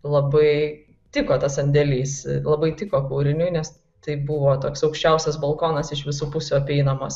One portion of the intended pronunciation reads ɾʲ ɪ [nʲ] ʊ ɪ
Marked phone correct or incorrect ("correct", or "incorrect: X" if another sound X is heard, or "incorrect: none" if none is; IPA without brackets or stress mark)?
correct